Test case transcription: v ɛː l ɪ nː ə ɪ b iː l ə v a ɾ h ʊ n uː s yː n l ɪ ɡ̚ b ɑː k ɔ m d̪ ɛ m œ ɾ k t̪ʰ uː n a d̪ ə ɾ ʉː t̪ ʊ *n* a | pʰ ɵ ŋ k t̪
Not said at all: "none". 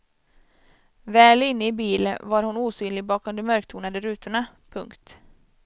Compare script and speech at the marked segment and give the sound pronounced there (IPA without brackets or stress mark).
ɳ